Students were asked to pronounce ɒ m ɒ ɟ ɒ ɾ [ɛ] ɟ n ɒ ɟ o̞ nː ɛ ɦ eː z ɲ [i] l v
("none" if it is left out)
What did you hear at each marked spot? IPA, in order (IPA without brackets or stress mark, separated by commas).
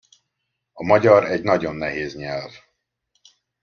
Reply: ɛ, ɛ